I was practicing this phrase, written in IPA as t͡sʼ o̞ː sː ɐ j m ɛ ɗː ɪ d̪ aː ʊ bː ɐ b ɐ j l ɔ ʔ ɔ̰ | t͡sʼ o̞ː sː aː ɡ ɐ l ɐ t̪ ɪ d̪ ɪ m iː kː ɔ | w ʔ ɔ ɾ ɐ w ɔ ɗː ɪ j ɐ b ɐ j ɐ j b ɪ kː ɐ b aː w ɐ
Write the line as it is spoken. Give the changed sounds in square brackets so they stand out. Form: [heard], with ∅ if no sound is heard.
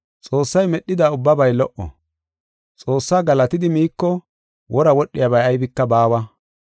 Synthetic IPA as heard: t͡sʼ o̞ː sː ɐ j m ɛ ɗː ɪ d̪ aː ʊ bː ɐ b ɐ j l ɔ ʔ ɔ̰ | t͡sʼ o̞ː sː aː ɡ ɐ l ɐ t̪ ɪ d̪ ɪ m iː kː ɔ | w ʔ ɔ ɾ ɐ w ɔ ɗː ɪ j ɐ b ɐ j ɐ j b ɪ kː ɐ b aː w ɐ

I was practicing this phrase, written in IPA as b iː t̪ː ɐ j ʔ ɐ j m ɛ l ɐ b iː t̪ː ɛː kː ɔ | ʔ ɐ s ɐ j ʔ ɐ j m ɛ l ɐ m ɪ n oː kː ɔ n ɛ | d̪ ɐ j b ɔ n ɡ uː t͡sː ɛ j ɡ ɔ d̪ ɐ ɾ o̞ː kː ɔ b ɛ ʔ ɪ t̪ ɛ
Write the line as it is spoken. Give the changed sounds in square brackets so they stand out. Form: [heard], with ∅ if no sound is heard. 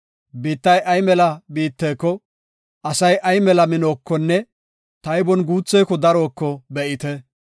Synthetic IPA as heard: b iː t̪ː ɐ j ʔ ɐ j m ɛ l ɐ b iː t̪ː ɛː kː ɔ | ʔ ɐ s ɐ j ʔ ɐ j m ɛ l ɐ m ɪ n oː kː ɔ [nː] ɛ | [t̪] ɐ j b ɔ n ɡ uː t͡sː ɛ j [k] ɔ d̪ ɐ ɾ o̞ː kː ɔ b ɛ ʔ ɪ t̪ ɛ

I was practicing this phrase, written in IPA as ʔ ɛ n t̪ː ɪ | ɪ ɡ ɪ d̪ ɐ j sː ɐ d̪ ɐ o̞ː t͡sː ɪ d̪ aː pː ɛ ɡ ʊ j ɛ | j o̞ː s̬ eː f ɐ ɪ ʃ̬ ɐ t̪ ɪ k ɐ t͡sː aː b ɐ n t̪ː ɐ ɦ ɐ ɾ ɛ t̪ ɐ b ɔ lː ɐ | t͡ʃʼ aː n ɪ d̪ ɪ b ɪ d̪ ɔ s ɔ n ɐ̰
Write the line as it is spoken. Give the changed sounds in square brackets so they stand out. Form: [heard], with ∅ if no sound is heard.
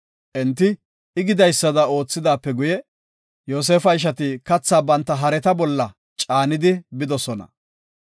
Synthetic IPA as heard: ʔ ɛ n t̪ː ɪ | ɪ ɡ ɪ d̪ ɐ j sː ɐ d̪ ɐ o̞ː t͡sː ɪ d̪ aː pː ɛ ɡ ʊ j ɛ | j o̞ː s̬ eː f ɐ ɪ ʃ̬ ɐ t̪ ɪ k ɐ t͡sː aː b ɐ n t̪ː ɐ ɦ ɐ ɾ ɛ t̪ ɐ b ɔ lː ɐ | t͡ʃʼ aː n ɪ d̪ ɪ b ɪ d̪ ɔ s ɔ n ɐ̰

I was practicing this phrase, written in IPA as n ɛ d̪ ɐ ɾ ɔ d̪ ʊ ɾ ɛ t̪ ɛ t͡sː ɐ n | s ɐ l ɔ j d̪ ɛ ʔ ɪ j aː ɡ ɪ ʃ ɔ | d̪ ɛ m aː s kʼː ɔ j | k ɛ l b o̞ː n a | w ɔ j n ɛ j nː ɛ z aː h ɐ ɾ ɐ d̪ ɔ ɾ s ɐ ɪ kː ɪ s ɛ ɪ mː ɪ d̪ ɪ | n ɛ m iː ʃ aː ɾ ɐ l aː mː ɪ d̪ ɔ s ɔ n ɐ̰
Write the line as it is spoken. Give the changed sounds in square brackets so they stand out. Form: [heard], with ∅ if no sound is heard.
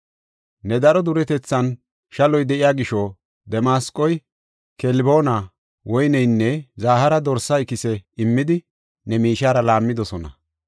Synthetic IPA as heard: n ɛ d̪ ɐ ɾ ɔ d̪ ʊ ɾ ɛ t̪ ɛ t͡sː ɐ n | [ʃ] ɐ l ɔ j d̪ ɛ ʔ ɪ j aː ɡ ɪ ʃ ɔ | d̪ ɛ m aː s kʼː ɔ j | k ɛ l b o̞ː n a | w ɔ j n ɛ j nː ɛ z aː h ɐ ɾ ɐ d̪ ɔ ɾ s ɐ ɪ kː ɪ s ɛ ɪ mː ɪ d̪ ɪ | n ɛ m iː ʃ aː ɾ ɐ l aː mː ɪ d̪ ɔ s ɔ n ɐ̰

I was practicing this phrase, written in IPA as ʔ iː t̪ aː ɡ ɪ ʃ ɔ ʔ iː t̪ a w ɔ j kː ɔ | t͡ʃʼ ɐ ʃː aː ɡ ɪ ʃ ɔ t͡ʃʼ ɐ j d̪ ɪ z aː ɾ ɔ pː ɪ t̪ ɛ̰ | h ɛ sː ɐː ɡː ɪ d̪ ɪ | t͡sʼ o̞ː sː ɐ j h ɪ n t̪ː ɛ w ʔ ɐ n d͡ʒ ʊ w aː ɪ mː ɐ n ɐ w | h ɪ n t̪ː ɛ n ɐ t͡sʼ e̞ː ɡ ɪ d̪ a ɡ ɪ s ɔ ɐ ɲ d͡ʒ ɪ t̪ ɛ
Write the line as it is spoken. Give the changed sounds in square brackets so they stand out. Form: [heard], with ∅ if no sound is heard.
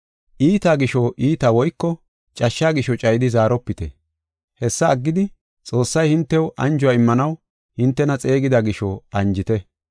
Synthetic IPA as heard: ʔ iː t̪ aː ɡ ɪ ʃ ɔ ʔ iː t̪ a w ɔ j kː ɔ | t͡ʃʼ ɐ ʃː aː ɡ ɪ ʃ ɔ t͡ʃʼ ɐ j d̪ ɪ z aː ɾ ɔ pː ɪ t̪ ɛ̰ | h ɛ sː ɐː ɡː ɪ d̪ ɪ | t͡sʼ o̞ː sː ɐ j h ɪ n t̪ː ɛ w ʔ ɐ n d͡ʒ ʊ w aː ɪ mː ɐ n ɐ w | h ɪ n t̪ː ɛ n ɐ t͡sʼ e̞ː ɡ ɪ d̪ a ɡ ɪ [ʃ] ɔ ɐ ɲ d͡ʒ ɪ t̪ ɛ

